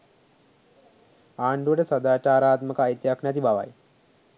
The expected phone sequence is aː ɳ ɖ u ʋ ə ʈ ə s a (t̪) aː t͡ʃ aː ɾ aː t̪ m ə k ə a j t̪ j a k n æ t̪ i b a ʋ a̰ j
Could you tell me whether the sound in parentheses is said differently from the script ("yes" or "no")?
yes